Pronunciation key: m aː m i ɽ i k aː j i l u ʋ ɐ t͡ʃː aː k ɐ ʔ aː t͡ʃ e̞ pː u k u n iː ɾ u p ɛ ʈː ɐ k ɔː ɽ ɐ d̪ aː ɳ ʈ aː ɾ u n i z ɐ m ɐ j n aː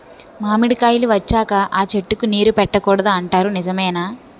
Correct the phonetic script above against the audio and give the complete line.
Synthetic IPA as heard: m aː m i ɽ i k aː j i l u ʋ ɐ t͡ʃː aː k ɐ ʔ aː t͡ʃ e̞ ʈː u k u n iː ɾ u p ɛ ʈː ɐ k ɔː ɽ ɐ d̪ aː ɳ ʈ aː ɾ u n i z ɐ m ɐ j n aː